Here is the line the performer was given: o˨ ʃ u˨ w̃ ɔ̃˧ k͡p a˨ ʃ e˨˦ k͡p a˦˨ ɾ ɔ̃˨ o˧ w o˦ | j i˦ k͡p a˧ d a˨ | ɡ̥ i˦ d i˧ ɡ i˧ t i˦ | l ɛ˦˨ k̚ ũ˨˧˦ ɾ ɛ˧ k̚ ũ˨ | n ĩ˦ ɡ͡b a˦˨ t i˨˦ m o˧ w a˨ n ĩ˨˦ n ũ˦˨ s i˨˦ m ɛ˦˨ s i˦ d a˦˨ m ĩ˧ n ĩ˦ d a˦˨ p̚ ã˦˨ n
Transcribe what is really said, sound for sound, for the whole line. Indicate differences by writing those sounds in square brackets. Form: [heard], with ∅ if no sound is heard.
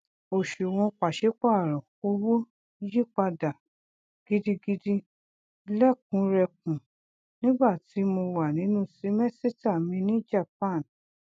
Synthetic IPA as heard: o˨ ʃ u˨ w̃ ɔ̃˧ k͡p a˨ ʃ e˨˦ k͡p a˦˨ ɾ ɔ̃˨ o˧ w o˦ | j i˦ k͡p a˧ d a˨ | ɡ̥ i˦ d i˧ ɡ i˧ [d] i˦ | l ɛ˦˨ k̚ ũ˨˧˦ ɾ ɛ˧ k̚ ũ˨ | n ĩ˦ ɡ͡b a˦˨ t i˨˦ m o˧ w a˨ n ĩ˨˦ n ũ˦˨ s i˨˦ m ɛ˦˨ s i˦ [t] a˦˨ m ĩ˧ n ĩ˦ [d͡ʒ] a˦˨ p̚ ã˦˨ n